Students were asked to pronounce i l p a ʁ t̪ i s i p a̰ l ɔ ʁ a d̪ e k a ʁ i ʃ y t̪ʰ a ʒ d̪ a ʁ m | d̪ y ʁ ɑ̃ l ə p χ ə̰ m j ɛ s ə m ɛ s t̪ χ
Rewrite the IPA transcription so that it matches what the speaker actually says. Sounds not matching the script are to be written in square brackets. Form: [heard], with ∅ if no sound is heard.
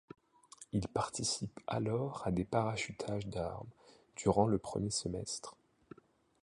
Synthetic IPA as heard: i l p a ʁ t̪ i s i p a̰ l ɔ ʁ a d̪ e [p] a ʁ [a] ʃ y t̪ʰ a ʒ d̪ a ʁ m | d̪ y ʁ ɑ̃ l ə p χ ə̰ m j [e] s ə m ɛ s t̪ χ